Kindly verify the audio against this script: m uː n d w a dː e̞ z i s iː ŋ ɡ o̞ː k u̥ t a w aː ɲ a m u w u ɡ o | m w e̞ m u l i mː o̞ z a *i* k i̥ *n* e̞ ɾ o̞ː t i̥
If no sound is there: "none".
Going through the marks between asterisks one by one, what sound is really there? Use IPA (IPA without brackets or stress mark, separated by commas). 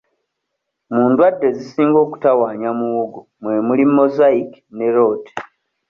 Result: i, n